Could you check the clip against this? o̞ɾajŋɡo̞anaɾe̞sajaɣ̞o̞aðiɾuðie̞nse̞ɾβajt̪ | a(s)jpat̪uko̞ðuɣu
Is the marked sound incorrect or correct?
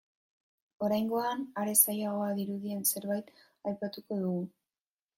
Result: incorrect